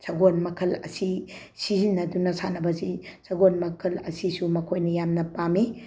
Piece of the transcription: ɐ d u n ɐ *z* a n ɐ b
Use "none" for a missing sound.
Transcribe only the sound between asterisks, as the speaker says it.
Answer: s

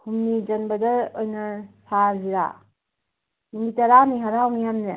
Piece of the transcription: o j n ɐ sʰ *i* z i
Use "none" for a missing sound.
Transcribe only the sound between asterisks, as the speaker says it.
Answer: a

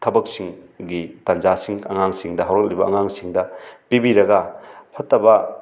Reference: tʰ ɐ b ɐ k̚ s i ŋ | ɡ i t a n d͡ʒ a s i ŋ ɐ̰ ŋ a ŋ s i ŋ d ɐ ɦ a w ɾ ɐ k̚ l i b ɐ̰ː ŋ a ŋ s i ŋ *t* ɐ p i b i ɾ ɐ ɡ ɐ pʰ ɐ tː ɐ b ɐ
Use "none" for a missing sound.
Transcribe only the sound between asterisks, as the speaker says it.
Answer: d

